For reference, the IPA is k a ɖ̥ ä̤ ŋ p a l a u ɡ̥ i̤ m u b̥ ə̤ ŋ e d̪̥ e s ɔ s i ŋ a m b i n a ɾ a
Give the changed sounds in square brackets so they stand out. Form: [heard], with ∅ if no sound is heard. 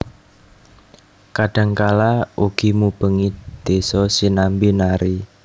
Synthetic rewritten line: k a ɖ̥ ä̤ ŋ [k] a l a u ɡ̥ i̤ m u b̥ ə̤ ŋ [i] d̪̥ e s ɔ s i [n] a m b i n a ɾ [i]